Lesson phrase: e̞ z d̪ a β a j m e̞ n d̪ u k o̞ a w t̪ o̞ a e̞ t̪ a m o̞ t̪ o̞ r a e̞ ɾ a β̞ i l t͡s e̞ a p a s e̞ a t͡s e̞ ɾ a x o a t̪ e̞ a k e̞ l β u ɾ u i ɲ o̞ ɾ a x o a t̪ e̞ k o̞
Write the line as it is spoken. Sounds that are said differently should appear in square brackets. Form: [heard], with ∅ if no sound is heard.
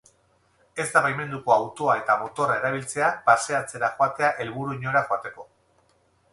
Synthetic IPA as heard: e̞ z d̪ a β a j m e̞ n d̪ u k o̞ a w t̪ o̞ a e̞ t̪ a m o̞ t̪ o̞ r a e̞ ɾ a β̞ i l t͡s e̞ a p a s e̞ a t͡s e̞ ɾ a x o a t̪ e̞ a [ʔ] e̞ l β u ɾ u i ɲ o̞ ɾ a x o a t̪ e̞ k o̞